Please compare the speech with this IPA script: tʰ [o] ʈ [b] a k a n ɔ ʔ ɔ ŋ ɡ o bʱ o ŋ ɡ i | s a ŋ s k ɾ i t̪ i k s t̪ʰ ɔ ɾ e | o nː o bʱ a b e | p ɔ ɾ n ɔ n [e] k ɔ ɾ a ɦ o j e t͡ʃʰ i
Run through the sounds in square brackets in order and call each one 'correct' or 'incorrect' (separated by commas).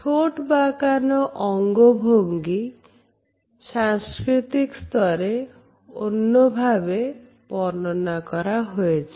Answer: correct, correct, incorrect